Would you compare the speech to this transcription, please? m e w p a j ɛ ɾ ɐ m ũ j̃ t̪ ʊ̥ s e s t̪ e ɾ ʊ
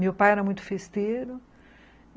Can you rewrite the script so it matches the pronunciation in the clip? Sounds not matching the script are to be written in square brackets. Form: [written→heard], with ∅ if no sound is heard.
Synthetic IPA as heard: m e w p a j ɛ ɾ ɐ m ũ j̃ t̪ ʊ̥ [s→f] e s t̪ e ɾ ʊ

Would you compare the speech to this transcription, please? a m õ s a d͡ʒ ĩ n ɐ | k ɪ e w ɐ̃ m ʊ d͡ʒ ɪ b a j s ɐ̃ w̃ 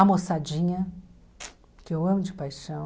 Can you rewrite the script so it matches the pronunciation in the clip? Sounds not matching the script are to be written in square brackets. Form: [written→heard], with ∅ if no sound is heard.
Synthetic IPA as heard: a m [õ→o] s a d͡ʒ ĩ [n→ɲ] ɐ | k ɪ e w ɐ̃ m ʊ d͡ʒ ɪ [b→p] a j [s→ʃ] ɐ̃ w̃

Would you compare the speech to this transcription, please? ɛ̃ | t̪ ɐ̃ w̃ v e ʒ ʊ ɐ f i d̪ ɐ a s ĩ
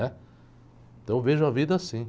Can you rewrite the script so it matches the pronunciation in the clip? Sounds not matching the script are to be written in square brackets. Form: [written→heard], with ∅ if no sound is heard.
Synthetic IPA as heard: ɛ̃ | t̪ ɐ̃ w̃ v e ʒ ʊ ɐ [f→v] i d̪ ɐ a s ĩ

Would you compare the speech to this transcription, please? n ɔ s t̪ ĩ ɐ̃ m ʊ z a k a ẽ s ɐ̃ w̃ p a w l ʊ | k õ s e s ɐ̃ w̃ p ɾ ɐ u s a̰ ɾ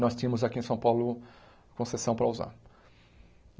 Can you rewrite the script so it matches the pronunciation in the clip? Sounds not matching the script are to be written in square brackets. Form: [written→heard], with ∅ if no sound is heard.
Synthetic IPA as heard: n ɔ s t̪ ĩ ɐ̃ m ʊ z a k [a→i] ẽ s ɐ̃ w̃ p a w l ʊ | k õ s e s ɐ̃ w̃ p ɾ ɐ u [s→z] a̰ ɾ

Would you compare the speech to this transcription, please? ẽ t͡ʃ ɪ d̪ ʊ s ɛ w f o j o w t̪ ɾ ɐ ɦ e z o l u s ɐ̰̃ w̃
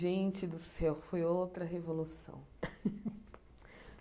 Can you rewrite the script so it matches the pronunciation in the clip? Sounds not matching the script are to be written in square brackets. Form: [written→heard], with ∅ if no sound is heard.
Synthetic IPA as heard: ẽ t͡ʃ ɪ d̪ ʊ s ɛ w f o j o w t̪ ɾ ɐ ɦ e [z→v] o l u s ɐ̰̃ w̃

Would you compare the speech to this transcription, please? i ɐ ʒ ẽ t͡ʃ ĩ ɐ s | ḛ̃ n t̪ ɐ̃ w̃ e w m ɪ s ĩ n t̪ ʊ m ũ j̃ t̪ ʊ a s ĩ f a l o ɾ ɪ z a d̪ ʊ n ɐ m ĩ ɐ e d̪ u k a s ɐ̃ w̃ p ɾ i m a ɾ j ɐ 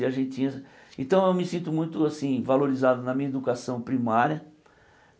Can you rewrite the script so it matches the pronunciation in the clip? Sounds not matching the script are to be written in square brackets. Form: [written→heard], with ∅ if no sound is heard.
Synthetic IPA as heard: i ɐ ʒ ẽ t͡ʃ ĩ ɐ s | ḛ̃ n t̪ ɐ̃ w̃ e w m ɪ s ĩ n t̪ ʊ m ũ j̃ t̪ ʊ a s ĩ [f→v] a l o ɾ [ɪ→i] z a d̪ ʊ n ɐ m ĩ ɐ e d̪ u k a s ɐ̃ w̃ p ɾ i m a ɾ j ɐ

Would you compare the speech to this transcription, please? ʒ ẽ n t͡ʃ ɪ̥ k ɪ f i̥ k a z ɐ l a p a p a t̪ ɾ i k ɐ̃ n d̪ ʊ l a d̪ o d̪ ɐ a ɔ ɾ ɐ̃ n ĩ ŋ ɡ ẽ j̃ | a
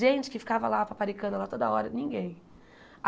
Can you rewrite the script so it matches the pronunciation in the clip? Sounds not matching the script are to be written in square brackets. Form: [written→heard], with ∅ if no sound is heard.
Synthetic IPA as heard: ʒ ẽ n t͡ʃ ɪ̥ k ɪ f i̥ k a [z→v] ɐ l a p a p a [t̪→∅] ɾ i k ɐ̃ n d̪ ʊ l a [d̪→t̪] o d̪ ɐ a ɔ ɾ [ɐ̃→ɐ] n ĩ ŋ ɡ ẽ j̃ | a

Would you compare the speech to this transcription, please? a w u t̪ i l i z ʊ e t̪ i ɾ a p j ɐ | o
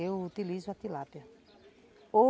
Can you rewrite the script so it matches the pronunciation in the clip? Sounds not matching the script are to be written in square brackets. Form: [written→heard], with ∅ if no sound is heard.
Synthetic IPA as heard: [a→e] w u t̪ i l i z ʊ [e→a] t̪ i [ɾ→l] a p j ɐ | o

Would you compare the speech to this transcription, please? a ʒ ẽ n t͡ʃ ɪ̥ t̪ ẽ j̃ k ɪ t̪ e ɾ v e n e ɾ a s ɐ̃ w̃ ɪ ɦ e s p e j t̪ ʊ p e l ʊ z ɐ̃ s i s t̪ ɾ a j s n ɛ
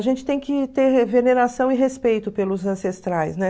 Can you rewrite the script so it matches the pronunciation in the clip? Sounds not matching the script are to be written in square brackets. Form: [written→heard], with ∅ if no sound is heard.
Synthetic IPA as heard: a ʒ ẽ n t͡ʃ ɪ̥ t̪ ẽ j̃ k ɪ t̪ e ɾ v e n e ɾ a s ɐ̃ w̃ ɪ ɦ e s p e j t̪ ʊ p e l ʊ z ɐ̃ s [i→e] s t̪ ɾ a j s n ɛ

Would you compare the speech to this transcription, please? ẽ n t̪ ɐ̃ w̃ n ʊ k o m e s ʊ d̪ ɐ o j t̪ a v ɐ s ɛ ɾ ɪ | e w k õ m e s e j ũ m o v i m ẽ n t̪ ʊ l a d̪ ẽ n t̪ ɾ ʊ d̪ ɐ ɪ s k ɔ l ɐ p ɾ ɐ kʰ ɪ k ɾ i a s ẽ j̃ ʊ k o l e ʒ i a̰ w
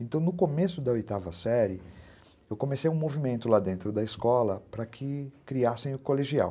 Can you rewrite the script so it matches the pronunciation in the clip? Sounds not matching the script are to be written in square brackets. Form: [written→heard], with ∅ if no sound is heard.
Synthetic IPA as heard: ẽ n t̪ ɐ̃ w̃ n ʊ k o m e s ʊ d̪ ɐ o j t̪ a v ɐ s ɛ ɾ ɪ | e w k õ m e s e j ũ m o v i m ẽ n t̪ ʊ l a d̪ ẽ n t̪ ɾ ʊ d̪ ɐ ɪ s k ɔ l ɐ p ɾ ɐ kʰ ɪ k ɾ i a s ẽ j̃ ʊ k o l e ʒ i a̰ w

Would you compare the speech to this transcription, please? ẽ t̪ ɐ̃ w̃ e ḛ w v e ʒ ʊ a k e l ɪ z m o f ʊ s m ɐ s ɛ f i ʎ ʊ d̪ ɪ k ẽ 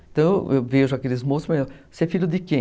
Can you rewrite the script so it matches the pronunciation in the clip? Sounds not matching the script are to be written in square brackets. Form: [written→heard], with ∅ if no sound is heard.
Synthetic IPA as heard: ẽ t̪ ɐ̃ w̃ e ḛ w v e ʒ ʊ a k e l ɪ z m o [f→s] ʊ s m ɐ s ɛ f i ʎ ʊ d̪ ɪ k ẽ

